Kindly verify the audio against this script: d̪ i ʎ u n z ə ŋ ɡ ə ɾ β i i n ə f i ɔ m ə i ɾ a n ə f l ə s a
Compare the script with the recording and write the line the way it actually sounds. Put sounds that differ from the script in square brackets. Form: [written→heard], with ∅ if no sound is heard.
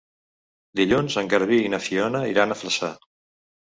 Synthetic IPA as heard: d̪ i ʎ u n z ə ŋ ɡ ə ɾ β i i n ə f i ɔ [m→n] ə i ɾ a n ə f l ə s a